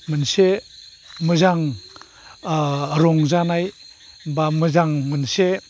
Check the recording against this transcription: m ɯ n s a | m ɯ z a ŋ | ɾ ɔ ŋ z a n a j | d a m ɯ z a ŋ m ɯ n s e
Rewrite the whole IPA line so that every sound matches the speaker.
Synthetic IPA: m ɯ n s e | m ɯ z a ŋ | ɾ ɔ ŋ z a n a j | b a m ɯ z a ŋ m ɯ n s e